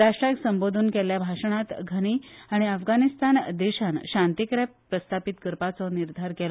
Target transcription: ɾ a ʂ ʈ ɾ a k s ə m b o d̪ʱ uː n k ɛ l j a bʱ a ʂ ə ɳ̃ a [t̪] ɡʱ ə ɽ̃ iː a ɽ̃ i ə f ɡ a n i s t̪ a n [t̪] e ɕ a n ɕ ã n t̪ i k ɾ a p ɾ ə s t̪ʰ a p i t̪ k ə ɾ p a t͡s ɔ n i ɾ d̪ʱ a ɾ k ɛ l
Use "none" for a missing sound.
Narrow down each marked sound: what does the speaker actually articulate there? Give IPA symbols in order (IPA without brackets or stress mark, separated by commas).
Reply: t̪, d̪